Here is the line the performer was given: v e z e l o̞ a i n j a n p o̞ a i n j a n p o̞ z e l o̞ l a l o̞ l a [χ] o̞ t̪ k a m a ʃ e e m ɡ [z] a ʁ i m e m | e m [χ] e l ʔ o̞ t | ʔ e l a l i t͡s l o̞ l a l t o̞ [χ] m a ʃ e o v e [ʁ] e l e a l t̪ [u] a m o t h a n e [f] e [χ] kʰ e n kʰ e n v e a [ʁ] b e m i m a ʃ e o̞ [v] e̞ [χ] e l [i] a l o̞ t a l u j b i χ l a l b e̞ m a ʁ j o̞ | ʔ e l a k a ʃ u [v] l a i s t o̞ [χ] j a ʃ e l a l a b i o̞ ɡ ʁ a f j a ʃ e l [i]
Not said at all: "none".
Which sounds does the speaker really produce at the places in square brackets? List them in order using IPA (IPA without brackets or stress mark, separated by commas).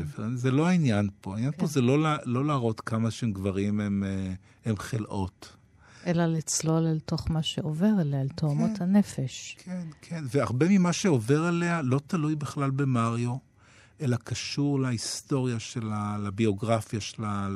ʁ, v, χ, χ, ʁ, o, f, ʃ, ʁ, v, ʁ, e, ʁ, ʁ, a